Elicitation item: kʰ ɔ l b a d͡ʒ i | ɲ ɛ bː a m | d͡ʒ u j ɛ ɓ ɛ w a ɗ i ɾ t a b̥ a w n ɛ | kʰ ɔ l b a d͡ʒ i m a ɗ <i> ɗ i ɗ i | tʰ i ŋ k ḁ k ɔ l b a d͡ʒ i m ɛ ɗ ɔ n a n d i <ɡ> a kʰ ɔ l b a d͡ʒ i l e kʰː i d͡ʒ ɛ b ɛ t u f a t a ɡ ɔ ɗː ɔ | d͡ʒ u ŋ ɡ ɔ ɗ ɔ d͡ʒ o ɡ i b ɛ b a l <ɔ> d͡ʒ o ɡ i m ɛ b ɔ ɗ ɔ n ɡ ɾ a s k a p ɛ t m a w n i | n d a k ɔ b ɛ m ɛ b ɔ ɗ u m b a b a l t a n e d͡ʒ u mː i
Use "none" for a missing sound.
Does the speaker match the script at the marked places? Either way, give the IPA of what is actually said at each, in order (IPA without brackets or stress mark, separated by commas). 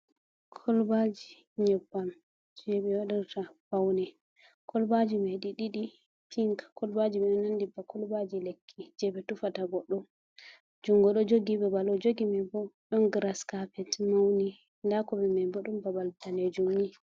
i, b, ɔ